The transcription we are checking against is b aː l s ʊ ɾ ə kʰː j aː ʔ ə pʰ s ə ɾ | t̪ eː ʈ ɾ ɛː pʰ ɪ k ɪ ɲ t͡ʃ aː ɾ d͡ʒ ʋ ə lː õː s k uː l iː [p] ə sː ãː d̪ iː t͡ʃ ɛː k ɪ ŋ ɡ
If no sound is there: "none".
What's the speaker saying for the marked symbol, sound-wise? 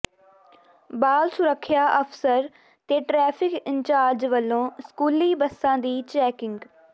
b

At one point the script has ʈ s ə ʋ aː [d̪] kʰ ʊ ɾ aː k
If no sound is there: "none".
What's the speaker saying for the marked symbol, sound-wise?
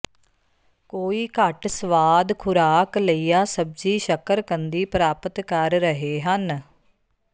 d̪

